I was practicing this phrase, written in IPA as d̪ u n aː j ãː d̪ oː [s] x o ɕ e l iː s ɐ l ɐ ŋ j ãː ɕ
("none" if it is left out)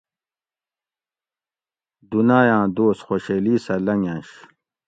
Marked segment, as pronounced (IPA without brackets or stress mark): s